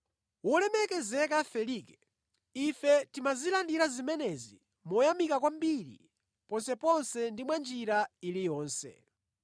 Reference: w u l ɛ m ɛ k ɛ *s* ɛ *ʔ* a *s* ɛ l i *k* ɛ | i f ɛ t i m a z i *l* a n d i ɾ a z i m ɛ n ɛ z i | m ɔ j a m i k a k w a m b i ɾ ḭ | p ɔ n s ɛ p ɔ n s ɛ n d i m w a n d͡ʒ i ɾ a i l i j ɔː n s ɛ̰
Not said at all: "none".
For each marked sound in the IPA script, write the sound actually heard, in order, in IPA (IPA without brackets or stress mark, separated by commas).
z, k, f, k, l